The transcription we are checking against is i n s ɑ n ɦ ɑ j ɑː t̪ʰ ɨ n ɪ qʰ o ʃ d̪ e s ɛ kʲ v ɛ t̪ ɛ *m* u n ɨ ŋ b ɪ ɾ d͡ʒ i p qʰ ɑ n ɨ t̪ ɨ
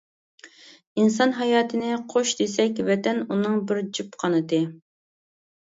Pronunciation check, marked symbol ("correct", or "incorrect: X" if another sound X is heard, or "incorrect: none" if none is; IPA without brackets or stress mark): incorrect: n